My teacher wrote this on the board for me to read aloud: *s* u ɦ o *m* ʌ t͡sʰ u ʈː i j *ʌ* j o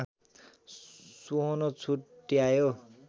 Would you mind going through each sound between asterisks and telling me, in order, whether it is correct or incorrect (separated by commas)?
correct, incorrect, incorrect